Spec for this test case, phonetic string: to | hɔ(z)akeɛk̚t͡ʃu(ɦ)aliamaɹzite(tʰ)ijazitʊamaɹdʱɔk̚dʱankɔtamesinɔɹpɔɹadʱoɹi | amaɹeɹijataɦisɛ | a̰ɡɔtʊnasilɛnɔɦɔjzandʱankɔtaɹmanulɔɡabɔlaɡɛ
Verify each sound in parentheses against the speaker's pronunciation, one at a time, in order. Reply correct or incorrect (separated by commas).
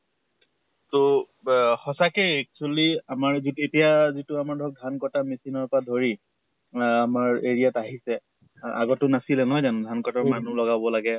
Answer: incorrect, incorrect, incorrect